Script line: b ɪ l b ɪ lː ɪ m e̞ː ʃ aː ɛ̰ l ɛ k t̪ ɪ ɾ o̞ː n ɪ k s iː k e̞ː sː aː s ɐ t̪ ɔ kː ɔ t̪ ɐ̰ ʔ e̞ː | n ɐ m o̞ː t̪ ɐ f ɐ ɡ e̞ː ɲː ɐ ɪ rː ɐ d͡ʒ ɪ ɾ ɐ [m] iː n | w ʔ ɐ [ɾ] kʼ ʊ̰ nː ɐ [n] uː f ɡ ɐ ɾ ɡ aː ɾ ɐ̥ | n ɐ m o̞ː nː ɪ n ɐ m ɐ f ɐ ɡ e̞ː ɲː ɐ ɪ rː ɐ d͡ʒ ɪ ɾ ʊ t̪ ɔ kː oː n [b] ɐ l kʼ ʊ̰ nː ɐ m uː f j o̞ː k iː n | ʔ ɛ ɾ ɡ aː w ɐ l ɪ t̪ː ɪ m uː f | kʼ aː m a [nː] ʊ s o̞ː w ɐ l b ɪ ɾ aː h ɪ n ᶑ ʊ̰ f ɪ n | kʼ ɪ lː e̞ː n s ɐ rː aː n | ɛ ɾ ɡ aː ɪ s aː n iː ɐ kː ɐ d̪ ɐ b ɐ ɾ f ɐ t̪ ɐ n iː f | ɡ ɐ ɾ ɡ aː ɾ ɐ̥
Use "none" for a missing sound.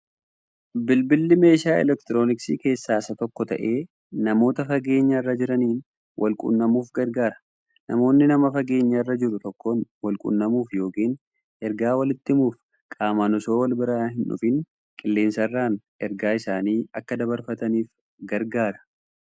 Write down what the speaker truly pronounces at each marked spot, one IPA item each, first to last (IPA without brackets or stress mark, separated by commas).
n, l, m, w, n